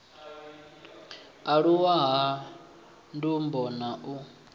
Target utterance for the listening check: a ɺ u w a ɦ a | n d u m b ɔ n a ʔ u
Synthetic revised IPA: a ɺ u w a ɦ a | n d u m b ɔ n a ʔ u